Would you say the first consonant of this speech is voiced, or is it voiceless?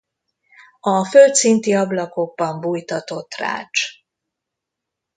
voiceless